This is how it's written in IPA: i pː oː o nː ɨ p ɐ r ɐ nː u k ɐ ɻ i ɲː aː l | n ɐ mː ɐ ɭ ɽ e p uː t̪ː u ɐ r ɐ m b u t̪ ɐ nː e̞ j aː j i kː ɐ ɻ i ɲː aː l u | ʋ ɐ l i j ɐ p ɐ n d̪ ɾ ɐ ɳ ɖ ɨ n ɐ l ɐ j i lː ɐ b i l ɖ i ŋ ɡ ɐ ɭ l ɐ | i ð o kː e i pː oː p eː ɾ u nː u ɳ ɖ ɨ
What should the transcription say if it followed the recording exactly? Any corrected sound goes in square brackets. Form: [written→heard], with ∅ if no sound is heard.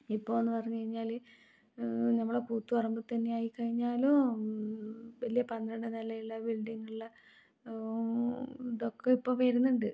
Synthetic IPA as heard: i pː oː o nː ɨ p ɐ r ɐ [nː→ɲː] u k ɐ ɻ i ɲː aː l | n ɐ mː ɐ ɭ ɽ e p uː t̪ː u ɐ r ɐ m b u t̪ ɐ nː e̞ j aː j i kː ɐ ɻ i ɲː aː l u | ʋ ɐ l i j ɐ p ɐ n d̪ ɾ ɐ ɳ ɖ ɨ n ɐ l ɐ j i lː ɐ b i l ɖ i ŋ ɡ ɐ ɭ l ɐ | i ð o kː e i pː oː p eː ɾ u nː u ɳ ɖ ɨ